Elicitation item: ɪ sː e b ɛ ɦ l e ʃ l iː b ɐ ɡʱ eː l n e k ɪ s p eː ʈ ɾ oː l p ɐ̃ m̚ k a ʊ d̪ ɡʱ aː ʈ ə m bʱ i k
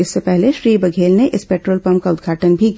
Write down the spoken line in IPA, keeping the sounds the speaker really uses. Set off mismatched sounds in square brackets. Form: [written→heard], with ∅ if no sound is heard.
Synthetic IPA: ɪ sː e [b→p] ɛ ɦ l e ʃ [l→ɾ] iː b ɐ ɡʱ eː l n e [k→ʔ] ɪ s p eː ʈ ɾ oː l p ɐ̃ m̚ k a ʊ d̪ ɡʱ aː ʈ ə [m→n] bʱ i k